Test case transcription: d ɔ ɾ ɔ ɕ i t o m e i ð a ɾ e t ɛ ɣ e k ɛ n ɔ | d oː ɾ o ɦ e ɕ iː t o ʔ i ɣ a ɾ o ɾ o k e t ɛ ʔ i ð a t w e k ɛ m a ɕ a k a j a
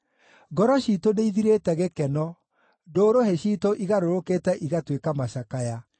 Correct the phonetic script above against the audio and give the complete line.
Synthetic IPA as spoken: ɡ ɔ ɾ ɔ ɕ i t o n e i ð i ɾ e t ɛ ɣ e k ɛ n ɔ | d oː ɾ o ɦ e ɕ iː t o ʔ i ɣ a ɾ o ɾ o k e t ɛ ʔ i ɣ a t w e k a m a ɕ a k a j a